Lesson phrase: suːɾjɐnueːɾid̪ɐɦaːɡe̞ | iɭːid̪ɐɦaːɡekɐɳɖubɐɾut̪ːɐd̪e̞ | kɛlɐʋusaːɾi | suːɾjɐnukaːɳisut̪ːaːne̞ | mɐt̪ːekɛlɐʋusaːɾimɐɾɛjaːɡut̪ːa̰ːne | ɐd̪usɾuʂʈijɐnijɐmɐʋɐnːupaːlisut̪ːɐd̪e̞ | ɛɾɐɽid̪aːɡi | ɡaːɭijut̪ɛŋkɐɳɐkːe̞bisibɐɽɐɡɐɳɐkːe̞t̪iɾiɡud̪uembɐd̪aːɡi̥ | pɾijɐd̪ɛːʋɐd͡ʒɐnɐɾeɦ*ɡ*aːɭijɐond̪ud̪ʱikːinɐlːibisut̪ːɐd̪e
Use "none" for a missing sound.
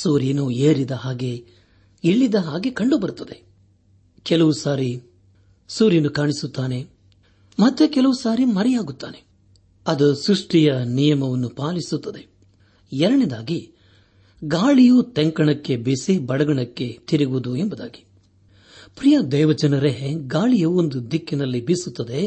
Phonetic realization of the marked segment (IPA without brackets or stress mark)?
ɡ